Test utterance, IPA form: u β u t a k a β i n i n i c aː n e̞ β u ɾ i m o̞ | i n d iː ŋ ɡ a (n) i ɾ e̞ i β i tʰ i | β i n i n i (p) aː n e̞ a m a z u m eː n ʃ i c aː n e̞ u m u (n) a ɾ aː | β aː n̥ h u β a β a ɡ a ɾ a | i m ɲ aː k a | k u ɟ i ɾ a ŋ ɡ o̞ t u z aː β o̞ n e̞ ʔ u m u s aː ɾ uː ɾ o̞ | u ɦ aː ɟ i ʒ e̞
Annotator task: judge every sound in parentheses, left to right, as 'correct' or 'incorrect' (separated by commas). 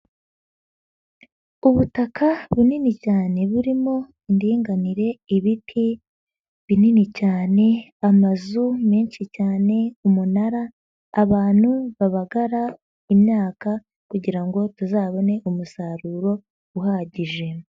correct, incorrect, correct